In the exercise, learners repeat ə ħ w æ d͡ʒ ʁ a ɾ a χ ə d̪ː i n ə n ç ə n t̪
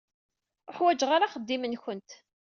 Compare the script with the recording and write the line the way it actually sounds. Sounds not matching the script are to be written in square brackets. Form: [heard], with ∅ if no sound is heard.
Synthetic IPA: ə ħ w æ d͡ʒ ʁ a ɾ a χ ə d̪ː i [m] ə n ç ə n t̪